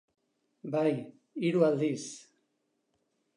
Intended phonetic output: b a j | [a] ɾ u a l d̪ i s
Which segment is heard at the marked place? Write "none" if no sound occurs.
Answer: i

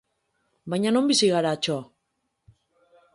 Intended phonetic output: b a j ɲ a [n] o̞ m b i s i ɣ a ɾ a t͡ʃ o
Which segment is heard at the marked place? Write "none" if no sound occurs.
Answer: n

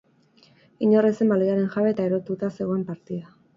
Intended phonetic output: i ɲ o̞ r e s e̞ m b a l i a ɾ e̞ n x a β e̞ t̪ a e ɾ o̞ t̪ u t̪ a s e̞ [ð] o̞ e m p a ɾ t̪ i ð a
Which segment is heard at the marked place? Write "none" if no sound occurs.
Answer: ɣ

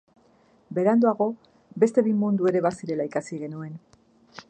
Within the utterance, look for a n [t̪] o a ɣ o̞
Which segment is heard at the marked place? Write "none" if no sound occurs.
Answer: d̪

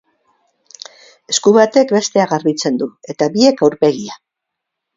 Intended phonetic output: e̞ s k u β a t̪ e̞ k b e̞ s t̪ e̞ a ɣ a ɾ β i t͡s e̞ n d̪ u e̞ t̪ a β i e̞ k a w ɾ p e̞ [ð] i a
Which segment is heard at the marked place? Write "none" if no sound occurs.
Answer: ɣ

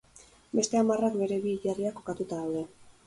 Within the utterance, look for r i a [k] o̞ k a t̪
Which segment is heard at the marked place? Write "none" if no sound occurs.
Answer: k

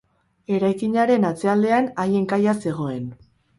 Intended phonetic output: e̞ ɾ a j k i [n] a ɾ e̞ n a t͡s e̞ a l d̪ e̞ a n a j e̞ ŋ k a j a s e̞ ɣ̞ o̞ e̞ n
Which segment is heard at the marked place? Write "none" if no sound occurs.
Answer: ɲ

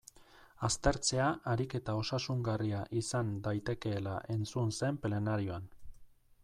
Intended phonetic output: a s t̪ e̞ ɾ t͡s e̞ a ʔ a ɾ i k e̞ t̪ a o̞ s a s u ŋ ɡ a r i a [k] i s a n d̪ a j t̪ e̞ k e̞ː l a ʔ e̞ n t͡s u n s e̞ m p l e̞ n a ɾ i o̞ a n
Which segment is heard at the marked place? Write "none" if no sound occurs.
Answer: ʔ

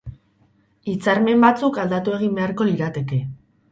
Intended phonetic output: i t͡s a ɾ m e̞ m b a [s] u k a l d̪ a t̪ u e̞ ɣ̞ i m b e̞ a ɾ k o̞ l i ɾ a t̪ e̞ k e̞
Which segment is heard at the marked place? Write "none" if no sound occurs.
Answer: t͡s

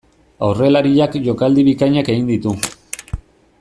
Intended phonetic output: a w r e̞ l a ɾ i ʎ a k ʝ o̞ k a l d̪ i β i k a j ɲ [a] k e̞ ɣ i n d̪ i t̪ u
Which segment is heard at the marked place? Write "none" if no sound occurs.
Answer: a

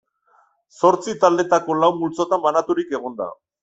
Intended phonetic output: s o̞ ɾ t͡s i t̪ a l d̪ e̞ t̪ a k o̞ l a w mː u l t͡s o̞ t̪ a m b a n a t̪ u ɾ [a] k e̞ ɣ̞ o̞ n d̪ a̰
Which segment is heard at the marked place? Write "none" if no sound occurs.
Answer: i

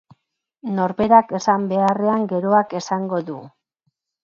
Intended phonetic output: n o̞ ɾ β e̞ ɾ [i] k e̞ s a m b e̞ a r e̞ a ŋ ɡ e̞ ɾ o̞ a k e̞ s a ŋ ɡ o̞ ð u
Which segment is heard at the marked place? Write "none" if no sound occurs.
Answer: a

